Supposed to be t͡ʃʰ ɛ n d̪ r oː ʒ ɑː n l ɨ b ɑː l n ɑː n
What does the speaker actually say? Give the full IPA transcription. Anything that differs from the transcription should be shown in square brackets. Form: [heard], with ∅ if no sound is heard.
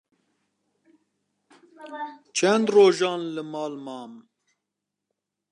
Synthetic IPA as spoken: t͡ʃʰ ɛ n d̪ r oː ʒ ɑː n l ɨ [m] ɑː l [m] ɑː [m]